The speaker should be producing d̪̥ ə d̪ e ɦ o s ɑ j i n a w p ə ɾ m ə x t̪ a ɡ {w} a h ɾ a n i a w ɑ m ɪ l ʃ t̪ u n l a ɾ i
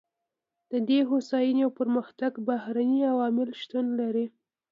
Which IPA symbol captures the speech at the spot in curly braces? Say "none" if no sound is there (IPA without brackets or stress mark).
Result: b